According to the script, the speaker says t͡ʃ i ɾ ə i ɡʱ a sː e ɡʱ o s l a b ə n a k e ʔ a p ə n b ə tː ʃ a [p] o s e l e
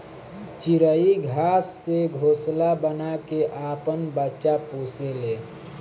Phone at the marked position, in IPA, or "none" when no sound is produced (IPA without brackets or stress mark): p